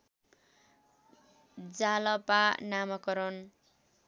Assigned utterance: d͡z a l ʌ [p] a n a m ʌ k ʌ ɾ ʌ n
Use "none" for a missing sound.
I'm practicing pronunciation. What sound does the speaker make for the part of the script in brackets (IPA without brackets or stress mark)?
p